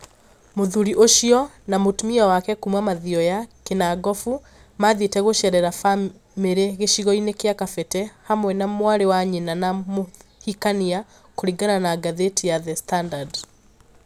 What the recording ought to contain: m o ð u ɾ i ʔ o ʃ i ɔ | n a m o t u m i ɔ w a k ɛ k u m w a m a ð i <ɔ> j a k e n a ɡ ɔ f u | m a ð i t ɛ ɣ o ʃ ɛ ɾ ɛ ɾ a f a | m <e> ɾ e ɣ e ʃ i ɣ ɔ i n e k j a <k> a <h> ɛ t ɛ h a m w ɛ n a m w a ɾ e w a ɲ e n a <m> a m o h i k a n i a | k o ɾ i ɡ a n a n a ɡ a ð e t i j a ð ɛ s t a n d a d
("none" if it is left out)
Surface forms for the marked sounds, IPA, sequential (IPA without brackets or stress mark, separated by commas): ɔ, e, k, f, n